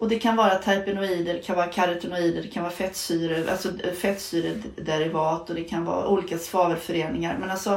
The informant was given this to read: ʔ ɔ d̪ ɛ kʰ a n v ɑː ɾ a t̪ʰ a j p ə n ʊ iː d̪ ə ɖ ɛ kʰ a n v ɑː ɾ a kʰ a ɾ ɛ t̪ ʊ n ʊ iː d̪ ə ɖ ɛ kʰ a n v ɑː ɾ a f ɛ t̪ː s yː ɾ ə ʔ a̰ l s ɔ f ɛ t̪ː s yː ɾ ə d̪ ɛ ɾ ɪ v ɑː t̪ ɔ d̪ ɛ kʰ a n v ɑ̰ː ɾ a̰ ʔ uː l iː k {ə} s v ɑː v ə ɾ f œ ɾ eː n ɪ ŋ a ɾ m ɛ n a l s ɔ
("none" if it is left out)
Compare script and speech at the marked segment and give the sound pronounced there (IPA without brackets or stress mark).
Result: a